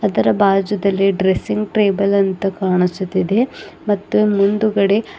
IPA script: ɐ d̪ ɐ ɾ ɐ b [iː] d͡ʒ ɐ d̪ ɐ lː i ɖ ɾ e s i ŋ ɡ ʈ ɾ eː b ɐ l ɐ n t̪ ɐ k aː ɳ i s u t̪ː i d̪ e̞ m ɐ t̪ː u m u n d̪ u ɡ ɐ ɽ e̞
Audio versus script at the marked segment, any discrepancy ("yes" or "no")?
yes